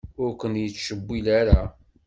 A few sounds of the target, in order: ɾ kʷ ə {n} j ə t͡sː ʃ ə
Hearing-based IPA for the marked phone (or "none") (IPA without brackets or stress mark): n